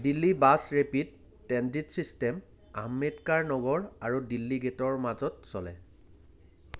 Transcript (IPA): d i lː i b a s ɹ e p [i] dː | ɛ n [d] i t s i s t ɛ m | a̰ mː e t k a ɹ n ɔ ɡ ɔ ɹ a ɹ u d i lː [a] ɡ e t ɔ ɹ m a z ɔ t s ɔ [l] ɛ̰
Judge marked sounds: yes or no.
yes, yes, no, yes

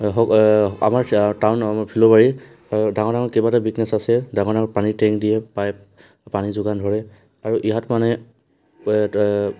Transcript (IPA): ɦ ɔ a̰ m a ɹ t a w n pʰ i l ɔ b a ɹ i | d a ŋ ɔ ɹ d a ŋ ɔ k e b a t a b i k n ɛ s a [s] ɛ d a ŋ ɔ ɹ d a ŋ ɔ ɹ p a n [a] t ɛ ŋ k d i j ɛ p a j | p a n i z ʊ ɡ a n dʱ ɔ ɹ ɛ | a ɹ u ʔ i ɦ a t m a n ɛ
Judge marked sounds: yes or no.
yes, no

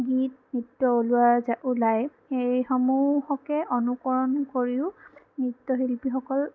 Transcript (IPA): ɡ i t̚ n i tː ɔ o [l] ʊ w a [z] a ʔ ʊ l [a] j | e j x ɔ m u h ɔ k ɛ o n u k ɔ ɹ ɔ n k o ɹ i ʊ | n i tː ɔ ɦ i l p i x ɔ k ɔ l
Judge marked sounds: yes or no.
yes, yes, yes

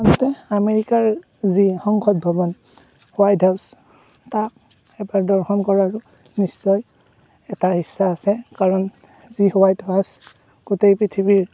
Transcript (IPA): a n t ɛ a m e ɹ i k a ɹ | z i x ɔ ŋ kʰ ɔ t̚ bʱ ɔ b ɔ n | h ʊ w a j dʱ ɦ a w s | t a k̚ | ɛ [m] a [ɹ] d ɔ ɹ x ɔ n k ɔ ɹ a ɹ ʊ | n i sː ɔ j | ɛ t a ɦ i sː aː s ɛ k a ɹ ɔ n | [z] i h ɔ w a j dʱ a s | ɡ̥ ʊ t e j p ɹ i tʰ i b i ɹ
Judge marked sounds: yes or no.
no, yes, yes

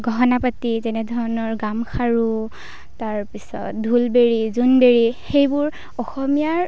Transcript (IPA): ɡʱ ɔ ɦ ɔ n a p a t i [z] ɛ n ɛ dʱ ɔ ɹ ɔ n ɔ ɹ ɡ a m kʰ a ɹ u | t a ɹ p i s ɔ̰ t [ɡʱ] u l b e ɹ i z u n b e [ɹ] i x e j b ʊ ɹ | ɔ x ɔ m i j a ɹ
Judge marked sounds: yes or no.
yes, no, yes

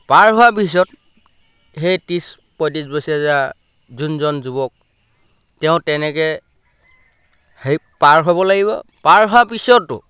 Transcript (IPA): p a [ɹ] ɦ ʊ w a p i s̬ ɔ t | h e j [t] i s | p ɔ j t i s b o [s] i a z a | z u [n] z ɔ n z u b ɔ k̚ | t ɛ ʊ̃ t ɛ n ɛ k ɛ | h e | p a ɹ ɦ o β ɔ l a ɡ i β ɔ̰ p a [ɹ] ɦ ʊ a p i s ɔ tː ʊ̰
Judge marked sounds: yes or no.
yes, yes, yes, yes, yes

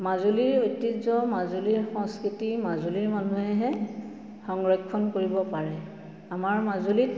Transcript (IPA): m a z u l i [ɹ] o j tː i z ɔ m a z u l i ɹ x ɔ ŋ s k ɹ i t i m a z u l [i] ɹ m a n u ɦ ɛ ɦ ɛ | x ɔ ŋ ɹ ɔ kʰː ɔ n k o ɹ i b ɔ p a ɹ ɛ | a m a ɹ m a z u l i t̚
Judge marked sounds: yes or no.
yes, yes

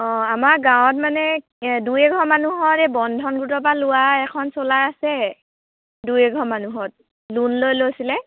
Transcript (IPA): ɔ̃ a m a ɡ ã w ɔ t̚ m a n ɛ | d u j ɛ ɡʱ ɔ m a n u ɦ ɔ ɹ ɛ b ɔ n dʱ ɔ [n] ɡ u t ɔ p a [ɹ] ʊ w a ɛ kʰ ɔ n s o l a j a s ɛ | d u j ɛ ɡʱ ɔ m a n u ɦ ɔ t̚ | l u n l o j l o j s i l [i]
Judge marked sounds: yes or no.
yes, no, no

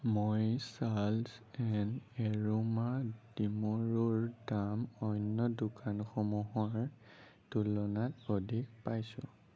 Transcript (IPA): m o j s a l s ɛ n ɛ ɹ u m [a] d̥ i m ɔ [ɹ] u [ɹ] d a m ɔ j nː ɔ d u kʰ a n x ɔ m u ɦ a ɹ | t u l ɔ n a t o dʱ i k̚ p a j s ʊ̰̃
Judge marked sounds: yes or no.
yes, yes, yes

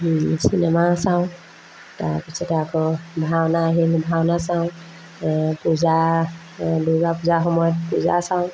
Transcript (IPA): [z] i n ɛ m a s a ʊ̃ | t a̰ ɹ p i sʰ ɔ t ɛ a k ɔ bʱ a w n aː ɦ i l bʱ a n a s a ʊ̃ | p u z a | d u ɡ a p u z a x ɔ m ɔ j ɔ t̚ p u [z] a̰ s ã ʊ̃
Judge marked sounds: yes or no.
no, yes

